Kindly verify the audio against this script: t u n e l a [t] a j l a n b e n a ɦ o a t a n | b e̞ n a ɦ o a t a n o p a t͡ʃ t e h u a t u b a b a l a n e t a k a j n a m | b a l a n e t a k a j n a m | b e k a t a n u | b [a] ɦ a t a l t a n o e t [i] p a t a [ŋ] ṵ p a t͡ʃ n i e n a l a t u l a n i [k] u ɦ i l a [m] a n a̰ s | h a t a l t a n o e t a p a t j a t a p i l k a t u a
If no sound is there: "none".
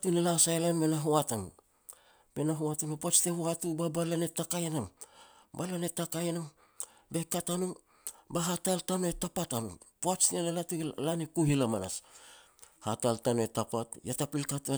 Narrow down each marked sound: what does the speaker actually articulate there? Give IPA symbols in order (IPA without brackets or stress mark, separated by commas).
s, a, a, n, k, m